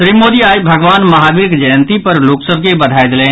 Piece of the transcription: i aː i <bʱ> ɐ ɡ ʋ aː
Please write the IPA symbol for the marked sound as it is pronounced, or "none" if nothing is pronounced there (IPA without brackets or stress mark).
bʱ